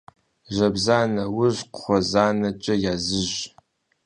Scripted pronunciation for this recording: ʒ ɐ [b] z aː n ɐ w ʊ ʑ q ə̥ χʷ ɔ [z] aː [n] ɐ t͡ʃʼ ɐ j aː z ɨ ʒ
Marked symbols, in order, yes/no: yes, yes, yes

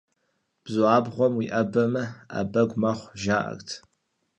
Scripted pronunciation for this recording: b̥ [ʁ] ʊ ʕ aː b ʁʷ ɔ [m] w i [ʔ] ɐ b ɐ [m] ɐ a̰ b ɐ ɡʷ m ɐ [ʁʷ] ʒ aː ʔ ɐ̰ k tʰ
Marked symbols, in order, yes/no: no, yes, yes, yes, no

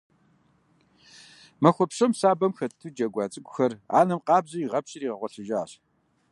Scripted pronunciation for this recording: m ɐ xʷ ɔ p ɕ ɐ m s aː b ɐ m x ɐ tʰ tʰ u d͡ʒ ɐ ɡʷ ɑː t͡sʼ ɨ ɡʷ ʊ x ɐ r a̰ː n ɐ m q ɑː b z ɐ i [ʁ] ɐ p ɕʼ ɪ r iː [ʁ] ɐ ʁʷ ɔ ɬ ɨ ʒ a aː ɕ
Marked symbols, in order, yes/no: yes, yes

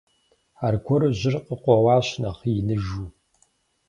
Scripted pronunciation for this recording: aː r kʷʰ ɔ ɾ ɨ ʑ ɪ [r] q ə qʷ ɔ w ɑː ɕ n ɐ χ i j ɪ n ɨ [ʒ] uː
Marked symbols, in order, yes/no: yes, yes

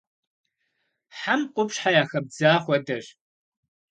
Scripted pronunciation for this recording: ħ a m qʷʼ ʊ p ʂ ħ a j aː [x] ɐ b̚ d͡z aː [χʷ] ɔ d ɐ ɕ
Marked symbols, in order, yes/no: yes, yes

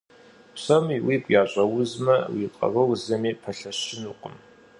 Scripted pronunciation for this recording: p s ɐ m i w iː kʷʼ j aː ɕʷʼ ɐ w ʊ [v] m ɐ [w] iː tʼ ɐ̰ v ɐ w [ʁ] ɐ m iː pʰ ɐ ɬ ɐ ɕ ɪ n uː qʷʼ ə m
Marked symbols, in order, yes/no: no, yes, no

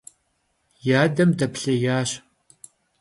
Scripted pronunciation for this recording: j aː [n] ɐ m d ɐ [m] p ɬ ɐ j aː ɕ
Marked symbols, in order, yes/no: no, no

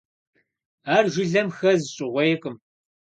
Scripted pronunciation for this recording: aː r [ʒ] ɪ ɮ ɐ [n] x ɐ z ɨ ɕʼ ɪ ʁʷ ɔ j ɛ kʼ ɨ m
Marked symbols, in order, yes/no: yes, no

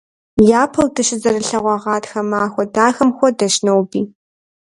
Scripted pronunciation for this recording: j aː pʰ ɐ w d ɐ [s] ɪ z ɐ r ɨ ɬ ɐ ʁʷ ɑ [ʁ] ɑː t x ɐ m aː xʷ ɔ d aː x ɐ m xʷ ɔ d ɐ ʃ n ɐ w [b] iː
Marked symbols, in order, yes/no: no, yes, yes

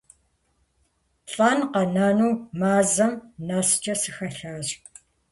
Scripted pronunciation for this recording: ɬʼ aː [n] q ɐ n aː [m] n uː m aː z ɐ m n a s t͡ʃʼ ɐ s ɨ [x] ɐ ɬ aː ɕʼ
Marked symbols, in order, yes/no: yes, no, yes

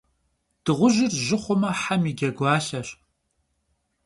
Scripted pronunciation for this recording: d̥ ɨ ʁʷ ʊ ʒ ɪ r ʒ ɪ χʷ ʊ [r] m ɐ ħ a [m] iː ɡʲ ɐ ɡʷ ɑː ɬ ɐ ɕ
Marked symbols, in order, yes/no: no, yes

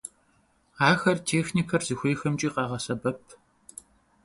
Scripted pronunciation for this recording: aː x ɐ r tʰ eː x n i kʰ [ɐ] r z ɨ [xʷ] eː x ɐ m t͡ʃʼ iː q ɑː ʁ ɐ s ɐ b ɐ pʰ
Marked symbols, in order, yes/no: yes, yes

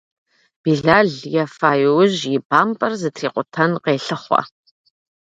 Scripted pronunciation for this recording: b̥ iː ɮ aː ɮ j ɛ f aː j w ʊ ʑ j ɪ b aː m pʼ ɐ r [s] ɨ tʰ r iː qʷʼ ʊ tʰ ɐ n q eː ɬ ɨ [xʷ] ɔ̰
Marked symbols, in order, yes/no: no, no

